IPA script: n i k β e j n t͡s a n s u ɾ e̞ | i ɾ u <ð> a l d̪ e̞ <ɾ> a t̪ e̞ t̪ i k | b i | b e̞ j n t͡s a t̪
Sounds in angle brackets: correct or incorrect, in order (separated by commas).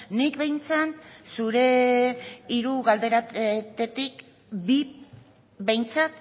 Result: incorrect, correct